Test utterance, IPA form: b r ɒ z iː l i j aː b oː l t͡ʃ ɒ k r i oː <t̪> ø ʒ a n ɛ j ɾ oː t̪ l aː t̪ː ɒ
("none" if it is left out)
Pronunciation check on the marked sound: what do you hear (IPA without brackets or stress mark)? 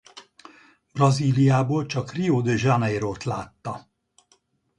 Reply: d̪